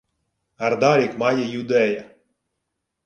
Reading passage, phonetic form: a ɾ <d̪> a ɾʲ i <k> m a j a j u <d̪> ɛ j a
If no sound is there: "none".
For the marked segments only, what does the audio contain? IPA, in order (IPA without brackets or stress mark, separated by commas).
d̪, k, d̪